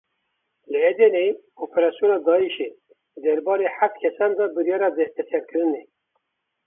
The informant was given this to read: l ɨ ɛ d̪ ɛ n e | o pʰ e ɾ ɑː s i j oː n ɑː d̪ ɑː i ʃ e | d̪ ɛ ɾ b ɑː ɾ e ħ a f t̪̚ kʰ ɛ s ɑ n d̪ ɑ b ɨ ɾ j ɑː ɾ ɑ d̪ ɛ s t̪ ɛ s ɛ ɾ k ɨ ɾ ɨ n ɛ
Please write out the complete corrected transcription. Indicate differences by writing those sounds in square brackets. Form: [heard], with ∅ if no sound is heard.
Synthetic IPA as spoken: l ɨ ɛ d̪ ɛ n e | o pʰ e ɾ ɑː s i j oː n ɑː d̪ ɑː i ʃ e | d̪ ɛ ɾ b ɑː ɾ e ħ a f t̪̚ kʰ ɛ s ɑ n d̪ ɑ b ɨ ɾ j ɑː ɾ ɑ d̪ ɛ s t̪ ɛ s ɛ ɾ k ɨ ɾ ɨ n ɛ